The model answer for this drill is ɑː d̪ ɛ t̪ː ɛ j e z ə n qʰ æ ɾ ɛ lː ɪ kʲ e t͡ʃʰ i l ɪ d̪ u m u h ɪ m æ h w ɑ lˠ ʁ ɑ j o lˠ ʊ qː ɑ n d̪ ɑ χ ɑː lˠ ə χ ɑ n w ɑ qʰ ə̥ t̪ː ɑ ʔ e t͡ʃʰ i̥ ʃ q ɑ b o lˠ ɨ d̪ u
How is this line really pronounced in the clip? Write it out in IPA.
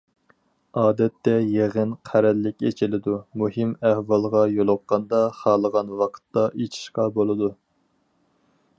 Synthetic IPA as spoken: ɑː d̪ ɛ t̪ː ɛ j e ʁ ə n qʰ æ ɾ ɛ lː ɪ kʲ e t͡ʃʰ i l ɪ d̪ u m u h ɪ m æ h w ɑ lˠ ʁ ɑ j o lˠ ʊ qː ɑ n d̪ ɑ χ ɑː lˠ ə ʁ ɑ n w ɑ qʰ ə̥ t̪ː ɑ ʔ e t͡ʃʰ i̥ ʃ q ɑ b o lˠ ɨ d̪ u